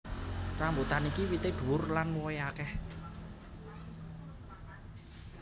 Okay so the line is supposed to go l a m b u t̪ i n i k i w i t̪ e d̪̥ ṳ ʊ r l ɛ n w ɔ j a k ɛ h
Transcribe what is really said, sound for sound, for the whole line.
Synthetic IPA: r a m b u t̪ a n i k i w i t̪ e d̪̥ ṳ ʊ r l a n w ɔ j a k ɛ h